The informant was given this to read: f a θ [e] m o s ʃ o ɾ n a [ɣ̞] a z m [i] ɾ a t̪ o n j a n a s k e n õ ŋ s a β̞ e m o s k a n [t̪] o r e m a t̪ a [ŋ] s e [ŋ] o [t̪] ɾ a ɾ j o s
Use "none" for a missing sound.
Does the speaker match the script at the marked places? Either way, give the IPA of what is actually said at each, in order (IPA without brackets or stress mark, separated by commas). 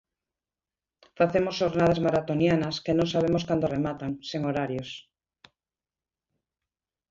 e, ð̞, a, d̪, ŋ, ŋ, none